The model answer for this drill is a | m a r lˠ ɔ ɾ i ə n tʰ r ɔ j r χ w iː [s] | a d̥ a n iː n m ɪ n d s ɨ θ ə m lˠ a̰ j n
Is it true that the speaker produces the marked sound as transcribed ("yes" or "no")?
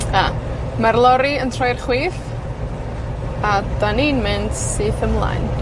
no